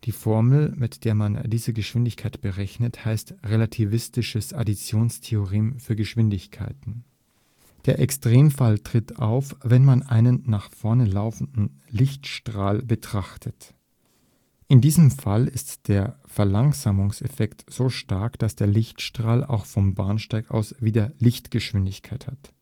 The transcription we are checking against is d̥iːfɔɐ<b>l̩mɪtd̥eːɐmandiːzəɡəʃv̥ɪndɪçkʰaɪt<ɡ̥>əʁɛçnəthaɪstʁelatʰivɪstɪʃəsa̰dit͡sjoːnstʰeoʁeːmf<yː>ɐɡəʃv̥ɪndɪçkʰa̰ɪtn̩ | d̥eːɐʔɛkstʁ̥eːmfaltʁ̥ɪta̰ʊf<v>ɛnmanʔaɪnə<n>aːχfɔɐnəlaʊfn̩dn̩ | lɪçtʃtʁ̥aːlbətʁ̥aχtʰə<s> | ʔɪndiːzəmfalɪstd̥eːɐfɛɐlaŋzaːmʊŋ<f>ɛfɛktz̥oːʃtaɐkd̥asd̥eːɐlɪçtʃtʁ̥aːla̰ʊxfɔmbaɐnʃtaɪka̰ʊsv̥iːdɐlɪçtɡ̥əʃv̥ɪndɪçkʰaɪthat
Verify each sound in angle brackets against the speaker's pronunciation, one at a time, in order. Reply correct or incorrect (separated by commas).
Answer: incorrect, incorrect, correct, correct, incorrect, incorrect, incorrect